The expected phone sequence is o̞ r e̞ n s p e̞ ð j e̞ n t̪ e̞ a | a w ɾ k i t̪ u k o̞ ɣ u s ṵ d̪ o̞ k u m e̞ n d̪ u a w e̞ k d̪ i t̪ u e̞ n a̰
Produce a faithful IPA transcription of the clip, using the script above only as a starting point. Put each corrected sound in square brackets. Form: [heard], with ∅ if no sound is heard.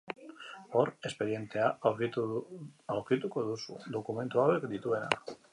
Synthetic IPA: o̞ [ɾ] e̞ [∅] s p e̞ ð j e̞ n t̪ e̞ a | a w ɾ k i t̪ u k o̞ [ð] u s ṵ d̪ o̞ k u m e̞ n [t̪] u a w e̞ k d̪ i t̪ u e̞ n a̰